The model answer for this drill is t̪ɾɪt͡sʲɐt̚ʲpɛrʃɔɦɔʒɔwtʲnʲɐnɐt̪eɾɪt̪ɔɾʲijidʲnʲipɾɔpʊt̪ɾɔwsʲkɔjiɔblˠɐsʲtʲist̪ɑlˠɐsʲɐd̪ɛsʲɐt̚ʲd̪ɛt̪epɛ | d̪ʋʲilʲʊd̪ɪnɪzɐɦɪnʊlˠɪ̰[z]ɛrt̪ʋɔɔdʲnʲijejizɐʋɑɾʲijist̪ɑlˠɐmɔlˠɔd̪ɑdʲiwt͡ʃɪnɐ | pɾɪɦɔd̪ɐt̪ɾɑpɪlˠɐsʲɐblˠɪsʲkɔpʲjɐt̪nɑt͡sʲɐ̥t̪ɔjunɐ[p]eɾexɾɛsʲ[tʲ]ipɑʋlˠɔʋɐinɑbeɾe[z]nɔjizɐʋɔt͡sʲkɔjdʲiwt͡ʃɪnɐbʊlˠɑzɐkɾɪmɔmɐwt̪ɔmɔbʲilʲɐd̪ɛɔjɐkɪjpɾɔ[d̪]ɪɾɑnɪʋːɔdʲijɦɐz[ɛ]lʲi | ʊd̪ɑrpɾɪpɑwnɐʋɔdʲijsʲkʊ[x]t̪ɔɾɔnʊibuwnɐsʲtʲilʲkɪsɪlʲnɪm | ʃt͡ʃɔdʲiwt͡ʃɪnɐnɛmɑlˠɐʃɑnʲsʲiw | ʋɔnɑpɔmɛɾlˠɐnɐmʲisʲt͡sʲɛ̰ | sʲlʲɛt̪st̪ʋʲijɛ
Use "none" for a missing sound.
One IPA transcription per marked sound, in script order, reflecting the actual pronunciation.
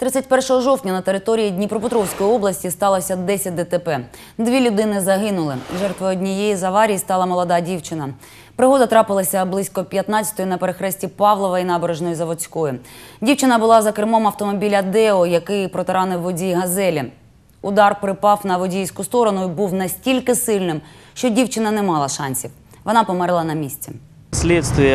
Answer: ʒ, p, tʲ, ʒ, t̪, ɛ, s

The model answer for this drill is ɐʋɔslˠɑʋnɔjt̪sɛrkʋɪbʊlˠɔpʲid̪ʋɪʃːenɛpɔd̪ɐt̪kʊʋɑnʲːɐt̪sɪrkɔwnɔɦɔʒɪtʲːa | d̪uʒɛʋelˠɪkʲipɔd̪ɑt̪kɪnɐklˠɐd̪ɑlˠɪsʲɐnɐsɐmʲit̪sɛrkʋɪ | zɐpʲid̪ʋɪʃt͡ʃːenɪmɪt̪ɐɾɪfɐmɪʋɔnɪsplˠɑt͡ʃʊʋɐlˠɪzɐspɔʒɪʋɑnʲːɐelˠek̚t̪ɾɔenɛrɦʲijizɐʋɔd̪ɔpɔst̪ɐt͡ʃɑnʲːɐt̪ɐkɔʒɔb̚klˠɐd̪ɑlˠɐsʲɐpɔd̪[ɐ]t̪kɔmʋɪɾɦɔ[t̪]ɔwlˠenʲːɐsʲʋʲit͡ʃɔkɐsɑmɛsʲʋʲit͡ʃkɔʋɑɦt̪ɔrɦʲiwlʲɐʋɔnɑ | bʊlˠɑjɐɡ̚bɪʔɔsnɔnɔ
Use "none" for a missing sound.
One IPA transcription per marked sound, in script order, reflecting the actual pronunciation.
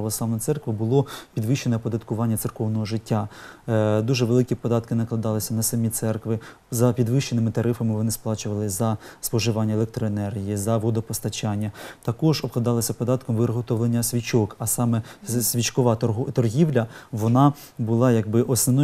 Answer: ɑ, t̪

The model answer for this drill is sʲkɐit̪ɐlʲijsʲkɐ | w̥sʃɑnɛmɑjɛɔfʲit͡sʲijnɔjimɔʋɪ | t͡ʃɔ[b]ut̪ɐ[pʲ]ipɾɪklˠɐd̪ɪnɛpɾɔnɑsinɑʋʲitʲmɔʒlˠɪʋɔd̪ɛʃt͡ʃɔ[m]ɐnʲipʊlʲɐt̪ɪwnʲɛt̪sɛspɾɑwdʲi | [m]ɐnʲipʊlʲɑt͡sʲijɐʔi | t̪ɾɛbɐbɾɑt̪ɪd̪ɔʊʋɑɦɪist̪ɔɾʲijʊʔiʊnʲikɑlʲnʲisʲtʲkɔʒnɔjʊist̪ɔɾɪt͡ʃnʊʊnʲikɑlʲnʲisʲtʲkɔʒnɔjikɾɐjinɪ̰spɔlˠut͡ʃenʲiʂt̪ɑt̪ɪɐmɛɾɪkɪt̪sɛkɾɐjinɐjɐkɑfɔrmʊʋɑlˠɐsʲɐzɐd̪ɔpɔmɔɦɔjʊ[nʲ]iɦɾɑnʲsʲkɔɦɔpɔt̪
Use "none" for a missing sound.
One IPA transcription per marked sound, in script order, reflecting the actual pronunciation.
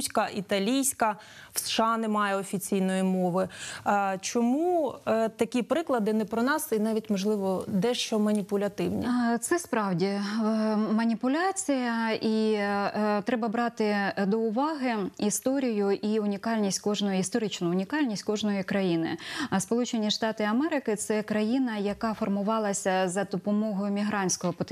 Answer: m, kʲ, m, m, mʲ

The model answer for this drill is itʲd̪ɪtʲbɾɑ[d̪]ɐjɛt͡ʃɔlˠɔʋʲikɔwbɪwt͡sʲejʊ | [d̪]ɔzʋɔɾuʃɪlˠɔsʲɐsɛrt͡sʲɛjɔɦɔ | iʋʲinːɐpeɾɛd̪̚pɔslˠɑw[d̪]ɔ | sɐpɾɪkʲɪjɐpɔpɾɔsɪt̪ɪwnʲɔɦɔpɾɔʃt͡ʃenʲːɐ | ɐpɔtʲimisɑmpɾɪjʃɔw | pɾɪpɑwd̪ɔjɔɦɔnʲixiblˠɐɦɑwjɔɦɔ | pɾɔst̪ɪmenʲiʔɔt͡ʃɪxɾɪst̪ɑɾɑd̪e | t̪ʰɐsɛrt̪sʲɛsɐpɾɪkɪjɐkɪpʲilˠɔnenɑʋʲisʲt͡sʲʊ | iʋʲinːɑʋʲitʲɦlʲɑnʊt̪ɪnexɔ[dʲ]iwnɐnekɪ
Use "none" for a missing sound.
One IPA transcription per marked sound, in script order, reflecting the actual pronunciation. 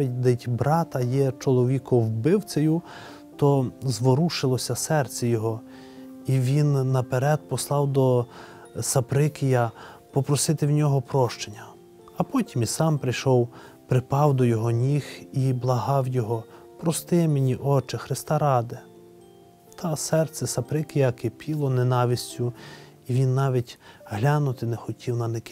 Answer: t̪, t̪, d̪, tʲ

